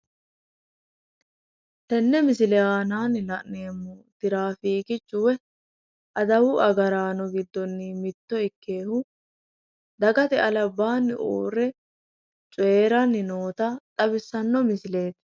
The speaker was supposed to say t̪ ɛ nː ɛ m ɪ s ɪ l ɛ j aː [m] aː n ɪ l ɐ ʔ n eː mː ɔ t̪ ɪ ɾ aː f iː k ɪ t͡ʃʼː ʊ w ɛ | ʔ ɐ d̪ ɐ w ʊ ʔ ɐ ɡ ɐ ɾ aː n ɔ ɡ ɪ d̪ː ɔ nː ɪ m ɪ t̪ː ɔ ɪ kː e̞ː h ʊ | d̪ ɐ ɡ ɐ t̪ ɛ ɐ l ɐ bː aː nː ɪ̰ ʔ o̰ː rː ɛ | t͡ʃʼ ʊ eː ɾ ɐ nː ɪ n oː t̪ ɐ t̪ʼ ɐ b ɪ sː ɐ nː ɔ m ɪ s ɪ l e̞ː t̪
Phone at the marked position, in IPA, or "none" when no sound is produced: n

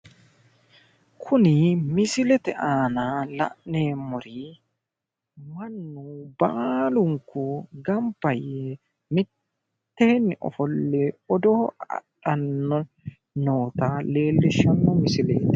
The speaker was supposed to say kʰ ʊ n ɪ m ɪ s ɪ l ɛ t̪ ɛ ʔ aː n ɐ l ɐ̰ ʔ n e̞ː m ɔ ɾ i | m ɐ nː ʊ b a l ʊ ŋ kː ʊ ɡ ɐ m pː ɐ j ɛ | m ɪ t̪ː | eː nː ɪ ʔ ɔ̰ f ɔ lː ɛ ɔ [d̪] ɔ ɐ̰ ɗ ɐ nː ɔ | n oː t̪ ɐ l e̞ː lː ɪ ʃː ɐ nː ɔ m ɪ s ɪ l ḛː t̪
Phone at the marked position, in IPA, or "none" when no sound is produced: d̪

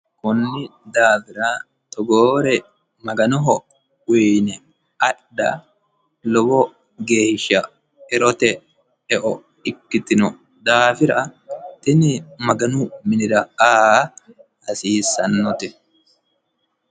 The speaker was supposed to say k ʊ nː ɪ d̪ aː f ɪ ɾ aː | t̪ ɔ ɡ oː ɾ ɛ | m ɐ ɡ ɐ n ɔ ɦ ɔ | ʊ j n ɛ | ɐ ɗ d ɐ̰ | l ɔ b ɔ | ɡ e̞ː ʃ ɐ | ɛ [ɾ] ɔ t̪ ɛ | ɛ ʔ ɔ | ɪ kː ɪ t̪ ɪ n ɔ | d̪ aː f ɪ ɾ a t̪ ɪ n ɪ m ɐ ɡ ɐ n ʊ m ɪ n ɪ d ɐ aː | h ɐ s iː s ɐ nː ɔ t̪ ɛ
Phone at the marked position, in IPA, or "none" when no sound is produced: ɾ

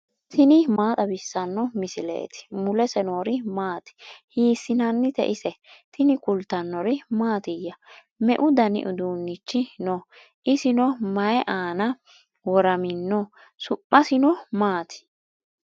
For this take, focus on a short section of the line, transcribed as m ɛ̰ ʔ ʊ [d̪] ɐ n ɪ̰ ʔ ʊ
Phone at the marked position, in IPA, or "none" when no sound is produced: d̪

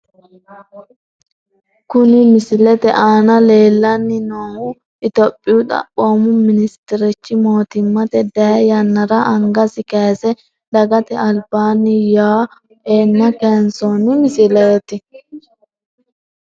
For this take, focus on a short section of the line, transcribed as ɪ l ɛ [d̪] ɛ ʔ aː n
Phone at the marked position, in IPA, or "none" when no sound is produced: t̪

